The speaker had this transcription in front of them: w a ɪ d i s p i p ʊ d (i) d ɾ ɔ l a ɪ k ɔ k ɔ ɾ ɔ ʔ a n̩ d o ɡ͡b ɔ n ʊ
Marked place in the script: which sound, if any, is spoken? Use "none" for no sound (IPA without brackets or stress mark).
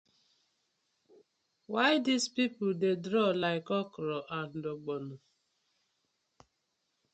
e